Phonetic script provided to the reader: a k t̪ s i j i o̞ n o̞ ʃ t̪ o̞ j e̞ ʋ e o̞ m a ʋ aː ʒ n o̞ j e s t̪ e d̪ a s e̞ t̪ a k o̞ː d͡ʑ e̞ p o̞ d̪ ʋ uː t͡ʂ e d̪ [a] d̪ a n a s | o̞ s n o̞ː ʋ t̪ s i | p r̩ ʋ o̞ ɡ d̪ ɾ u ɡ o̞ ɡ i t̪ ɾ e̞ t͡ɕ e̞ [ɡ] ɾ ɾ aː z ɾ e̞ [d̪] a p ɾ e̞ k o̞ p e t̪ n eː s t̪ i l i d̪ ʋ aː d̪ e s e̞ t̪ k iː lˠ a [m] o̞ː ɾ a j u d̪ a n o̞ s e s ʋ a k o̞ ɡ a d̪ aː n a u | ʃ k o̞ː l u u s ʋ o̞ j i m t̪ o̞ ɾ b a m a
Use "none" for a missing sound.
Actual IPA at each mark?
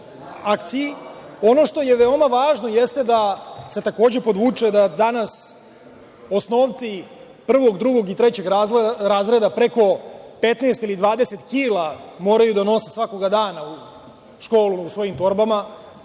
a, ɡ, d̪, m

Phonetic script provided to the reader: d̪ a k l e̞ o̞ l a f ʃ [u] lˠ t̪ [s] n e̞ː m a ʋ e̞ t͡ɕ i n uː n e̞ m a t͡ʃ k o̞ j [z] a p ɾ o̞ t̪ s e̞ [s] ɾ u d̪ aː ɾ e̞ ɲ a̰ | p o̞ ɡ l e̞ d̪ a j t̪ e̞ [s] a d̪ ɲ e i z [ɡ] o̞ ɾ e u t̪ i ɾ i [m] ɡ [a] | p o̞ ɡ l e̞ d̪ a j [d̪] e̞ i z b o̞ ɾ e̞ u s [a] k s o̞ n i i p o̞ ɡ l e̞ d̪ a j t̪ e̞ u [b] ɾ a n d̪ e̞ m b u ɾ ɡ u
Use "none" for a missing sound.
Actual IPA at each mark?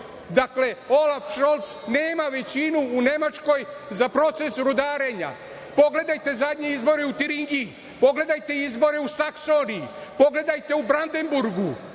o, s, z, s, z, b, ŋ, i, t̪, a, b

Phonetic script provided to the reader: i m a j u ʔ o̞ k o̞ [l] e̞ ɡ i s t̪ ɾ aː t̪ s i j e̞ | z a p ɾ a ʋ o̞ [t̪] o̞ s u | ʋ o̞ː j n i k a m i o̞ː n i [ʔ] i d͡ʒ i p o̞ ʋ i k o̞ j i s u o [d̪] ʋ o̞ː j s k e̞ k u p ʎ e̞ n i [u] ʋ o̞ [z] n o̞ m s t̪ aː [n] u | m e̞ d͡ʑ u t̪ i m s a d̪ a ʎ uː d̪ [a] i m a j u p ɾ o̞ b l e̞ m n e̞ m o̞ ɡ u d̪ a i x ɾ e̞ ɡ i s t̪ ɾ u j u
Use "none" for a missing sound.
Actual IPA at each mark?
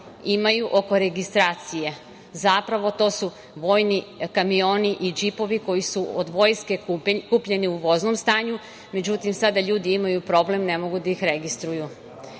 ɾ, t̪, ʔ, d̪, u, z, ɲ, i

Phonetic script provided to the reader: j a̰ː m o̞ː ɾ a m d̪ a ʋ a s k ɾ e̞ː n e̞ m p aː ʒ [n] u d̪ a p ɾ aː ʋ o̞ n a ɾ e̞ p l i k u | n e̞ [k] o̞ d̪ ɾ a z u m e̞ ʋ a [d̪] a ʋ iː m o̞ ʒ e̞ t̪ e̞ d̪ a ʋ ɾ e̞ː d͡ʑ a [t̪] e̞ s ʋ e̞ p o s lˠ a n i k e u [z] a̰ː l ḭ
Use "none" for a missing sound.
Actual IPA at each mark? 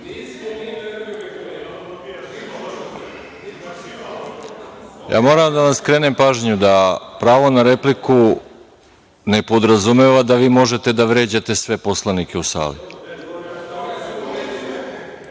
ɲ, p, d̪, t̪, s

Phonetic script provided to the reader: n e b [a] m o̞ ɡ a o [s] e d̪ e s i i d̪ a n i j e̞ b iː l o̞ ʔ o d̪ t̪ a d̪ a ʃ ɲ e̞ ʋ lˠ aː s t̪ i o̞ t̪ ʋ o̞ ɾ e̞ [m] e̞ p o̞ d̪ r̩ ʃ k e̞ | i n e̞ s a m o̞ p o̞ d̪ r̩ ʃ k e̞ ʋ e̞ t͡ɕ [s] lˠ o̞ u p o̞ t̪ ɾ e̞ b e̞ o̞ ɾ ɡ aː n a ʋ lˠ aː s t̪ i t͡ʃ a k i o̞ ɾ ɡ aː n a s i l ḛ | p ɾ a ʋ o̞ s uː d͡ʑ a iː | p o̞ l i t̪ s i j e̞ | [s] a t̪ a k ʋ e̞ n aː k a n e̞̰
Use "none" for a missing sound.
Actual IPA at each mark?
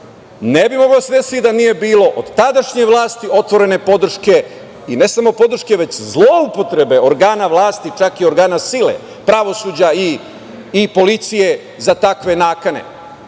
i, s, n, z, z

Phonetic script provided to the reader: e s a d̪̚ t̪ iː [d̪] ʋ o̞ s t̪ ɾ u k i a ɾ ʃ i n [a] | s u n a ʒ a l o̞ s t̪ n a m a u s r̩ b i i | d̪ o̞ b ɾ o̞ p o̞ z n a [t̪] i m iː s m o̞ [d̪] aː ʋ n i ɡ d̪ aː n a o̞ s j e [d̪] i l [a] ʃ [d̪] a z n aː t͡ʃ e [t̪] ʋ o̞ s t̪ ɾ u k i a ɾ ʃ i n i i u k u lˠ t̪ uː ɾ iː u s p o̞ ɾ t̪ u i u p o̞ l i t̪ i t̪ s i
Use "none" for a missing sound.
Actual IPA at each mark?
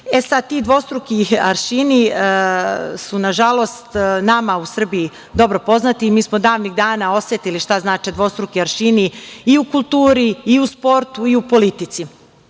d̪, i, t̪, d̪, t̪, i, t̪, d̪

